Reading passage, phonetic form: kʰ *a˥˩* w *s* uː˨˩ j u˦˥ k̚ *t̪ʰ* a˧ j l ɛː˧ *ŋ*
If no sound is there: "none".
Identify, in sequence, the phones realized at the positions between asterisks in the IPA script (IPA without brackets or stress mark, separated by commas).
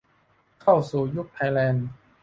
a˥˩, s, t̪ʰ, n